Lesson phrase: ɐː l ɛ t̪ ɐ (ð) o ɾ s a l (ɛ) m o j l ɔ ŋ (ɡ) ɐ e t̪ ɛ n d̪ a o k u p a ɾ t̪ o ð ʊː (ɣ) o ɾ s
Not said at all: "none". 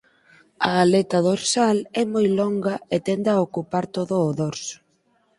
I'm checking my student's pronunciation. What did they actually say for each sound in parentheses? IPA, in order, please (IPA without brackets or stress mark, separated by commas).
ð, ɛ, ɡ, ð